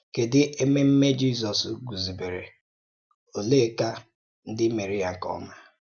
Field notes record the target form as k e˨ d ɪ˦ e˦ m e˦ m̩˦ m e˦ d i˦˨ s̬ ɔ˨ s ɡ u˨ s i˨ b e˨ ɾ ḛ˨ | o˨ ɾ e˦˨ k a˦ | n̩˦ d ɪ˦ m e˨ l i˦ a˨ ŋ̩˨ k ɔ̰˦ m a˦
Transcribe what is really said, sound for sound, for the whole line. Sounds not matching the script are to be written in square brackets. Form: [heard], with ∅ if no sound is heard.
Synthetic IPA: k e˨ d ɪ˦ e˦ m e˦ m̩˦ m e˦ [d͡ʒ] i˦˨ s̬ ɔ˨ s ɡ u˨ [z] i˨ b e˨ ɾ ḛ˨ | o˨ [l] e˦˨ k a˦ | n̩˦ d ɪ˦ m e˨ [ɾ] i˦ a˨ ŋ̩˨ k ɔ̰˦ m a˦